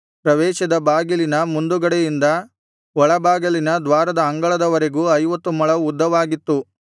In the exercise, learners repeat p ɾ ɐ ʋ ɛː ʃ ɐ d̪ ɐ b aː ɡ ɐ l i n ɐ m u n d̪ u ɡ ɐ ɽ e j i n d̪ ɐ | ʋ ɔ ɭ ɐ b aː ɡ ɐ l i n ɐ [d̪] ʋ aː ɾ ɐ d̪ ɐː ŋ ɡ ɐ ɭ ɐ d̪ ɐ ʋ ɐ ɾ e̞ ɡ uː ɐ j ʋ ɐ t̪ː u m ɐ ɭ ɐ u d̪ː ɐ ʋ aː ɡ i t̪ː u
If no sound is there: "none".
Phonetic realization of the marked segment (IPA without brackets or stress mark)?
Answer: d̪